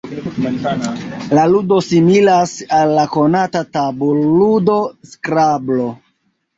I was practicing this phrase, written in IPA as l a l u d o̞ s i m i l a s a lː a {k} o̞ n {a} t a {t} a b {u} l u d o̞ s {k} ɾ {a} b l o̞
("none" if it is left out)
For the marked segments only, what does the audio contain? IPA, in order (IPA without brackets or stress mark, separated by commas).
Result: k, a, t, o, k, a